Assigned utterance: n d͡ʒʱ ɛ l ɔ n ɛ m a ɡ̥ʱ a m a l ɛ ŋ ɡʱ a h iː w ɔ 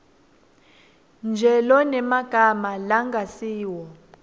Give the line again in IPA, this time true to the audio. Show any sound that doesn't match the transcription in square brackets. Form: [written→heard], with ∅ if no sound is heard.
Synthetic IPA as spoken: n d͡ʒʱ ɛ l ɔ n ɛ m a ɡ̥ʱ a m a l [ɛ→a] ŋ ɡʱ a [h→s] iː w ɔ

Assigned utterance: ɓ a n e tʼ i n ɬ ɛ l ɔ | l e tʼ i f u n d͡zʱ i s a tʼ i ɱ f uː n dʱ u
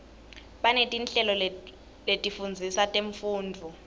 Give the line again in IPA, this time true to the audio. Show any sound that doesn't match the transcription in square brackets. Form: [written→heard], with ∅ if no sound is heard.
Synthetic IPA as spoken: ɓ a n e tʼ i n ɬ ɛ l ɔ | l e tʼ i f u n d͡zʱ i s a tʼ [i→e] ɱ f uː n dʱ u

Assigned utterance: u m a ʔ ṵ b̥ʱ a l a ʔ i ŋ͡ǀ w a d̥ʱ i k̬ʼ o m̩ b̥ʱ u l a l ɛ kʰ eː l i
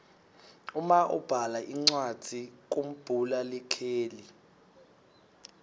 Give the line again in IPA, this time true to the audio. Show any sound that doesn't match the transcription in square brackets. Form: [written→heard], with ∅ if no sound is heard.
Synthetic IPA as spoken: u m a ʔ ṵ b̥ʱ a l a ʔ i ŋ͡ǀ w a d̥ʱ i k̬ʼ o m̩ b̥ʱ u l a l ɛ kʰ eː l i

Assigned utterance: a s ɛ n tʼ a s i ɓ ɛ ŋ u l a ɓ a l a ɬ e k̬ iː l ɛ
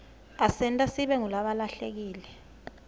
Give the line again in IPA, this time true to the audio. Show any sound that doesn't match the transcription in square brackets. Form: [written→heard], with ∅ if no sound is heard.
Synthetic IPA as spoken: a s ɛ n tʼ a s i ɓ ɛ ŋ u l a ɓ a l a ɬ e k̬ iː l ɛ

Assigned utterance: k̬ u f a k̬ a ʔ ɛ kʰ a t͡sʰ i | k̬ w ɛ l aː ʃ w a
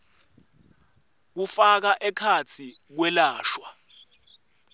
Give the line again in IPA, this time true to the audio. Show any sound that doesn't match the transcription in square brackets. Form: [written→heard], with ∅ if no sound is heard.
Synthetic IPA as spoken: k̬ u f a k̬ a ʔ ɛ kʰ a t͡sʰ i | k̬ w ɛ l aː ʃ w a

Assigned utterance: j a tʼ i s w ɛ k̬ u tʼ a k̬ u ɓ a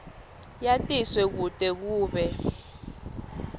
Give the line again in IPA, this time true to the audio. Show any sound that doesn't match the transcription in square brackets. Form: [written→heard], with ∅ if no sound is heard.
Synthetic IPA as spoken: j a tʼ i s w ɛ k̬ u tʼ [a→ɛ] k̬ [u→uː] ɓ [a→ɛ]

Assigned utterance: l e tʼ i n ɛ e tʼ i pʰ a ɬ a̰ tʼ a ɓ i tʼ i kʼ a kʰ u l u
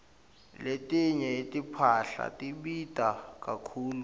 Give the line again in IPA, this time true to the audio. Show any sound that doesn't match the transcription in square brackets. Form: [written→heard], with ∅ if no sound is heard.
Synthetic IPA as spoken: l e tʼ i [n→ɲ] ɛ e tʼ i pʰ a ɬ a̰ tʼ [a→i] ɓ i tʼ [i→a] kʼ a kʰ [u→uː] l u

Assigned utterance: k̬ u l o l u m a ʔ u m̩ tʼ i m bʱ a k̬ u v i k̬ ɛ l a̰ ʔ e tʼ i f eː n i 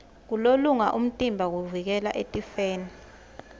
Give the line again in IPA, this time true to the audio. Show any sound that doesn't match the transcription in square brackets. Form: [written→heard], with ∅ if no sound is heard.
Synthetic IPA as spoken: k̬ u l o l u [m→ŋ] a ʔ u m̩ tʼ i m bʱ a k̬ u v i k̬ ɛ l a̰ ʔ e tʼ i f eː n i

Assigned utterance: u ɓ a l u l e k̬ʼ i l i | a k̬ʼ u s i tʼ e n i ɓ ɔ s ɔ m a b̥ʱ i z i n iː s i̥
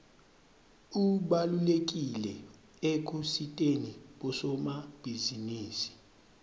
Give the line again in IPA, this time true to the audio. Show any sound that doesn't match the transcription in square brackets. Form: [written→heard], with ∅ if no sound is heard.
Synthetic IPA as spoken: u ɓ a l u l e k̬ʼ i l [i→ɛ] | [a→e] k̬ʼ u s i tʼ e n i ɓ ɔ s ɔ m a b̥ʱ i z i n iː s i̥

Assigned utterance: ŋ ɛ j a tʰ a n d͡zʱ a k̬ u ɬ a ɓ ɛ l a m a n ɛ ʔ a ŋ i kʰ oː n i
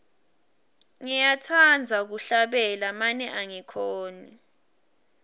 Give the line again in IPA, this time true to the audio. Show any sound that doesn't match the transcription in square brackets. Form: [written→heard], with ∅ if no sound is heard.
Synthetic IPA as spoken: ŋ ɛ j a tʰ a n d͡zʱ a k̬ u ɬ a ɓ ɛ l a m a n ɛ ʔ a ŋ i kʰ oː n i

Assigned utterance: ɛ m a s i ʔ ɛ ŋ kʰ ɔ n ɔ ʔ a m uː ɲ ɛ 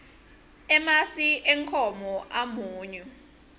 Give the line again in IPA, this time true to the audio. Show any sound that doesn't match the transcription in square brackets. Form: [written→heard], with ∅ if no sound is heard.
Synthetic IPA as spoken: ɛ m a s i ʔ ɛ ŋ kʰ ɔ [n→m] ɔ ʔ a m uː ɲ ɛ

